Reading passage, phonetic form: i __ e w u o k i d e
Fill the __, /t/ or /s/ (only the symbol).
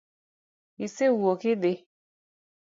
s